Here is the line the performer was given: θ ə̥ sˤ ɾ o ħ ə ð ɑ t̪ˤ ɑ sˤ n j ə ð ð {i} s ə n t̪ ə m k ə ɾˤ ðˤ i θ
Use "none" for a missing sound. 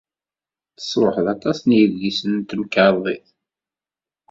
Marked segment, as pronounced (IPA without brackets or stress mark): i